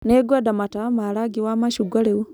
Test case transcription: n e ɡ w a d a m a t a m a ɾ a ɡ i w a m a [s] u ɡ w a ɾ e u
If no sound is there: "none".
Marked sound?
ʃ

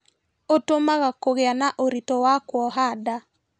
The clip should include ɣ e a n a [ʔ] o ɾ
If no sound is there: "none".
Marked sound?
ʔ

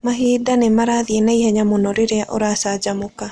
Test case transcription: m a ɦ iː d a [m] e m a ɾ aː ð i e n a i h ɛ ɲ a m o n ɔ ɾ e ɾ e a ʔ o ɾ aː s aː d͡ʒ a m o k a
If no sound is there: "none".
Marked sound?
n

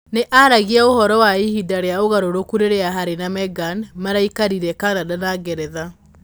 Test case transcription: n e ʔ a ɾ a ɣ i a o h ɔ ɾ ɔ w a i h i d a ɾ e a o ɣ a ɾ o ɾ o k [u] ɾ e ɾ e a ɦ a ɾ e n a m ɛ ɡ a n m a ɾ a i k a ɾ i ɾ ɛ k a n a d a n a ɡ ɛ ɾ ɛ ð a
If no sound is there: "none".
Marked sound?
u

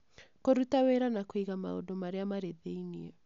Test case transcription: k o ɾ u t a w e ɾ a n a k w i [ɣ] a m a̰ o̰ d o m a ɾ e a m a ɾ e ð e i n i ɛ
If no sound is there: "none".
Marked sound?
ɣ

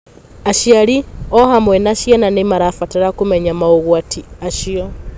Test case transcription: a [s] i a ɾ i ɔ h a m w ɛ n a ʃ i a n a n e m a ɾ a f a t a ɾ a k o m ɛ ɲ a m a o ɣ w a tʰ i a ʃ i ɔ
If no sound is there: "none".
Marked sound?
ʃ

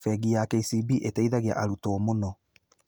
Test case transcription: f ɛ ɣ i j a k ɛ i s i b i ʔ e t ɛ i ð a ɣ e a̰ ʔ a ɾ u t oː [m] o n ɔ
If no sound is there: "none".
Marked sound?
m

